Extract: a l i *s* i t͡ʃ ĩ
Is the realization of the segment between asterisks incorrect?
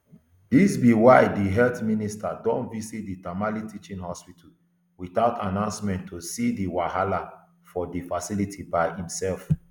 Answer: yes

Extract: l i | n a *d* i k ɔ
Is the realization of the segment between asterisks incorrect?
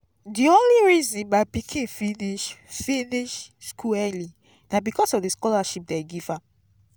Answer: yes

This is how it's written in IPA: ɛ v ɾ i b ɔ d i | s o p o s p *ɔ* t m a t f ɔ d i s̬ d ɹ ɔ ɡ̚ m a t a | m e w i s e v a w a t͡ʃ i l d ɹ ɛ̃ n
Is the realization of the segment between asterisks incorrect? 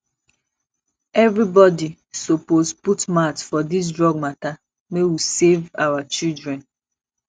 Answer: yes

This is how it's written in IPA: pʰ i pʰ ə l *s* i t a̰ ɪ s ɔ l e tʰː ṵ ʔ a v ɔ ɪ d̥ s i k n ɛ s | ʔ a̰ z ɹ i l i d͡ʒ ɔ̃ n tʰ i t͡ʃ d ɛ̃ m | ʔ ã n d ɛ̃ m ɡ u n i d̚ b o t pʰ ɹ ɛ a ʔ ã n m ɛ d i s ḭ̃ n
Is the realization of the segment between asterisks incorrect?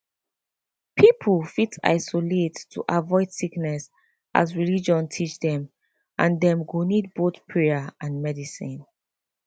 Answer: yes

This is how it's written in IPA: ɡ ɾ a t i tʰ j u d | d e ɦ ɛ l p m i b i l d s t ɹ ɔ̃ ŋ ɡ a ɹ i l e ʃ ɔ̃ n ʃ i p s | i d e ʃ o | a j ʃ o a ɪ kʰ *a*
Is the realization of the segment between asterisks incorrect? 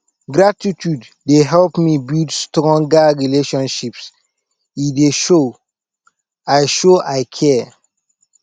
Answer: yes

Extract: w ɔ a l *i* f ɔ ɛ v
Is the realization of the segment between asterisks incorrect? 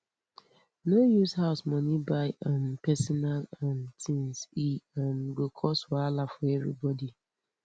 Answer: yes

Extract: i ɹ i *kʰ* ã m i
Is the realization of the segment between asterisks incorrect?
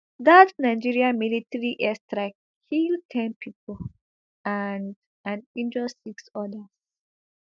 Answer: yes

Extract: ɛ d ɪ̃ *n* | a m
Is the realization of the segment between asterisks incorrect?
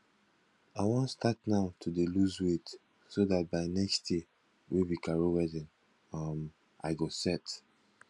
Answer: no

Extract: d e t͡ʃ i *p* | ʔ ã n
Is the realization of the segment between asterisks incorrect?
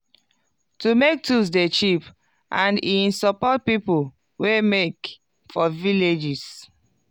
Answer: no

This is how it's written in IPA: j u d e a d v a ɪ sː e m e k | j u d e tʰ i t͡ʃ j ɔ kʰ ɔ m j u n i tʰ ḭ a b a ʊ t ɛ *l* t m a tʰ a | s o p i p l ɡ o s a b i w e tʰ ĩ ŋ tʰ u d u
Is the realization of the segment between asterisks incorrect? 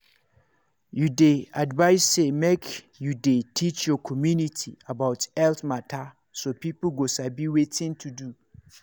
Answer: no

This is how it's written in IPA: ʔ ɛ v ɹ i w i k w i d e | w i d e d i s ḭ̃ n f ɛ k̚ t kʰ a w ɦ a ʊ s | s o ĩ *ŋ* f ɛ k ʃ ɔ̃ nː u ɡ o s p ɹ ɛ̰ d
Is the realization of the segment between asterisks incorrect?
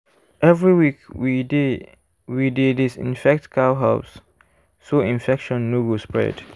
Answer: yes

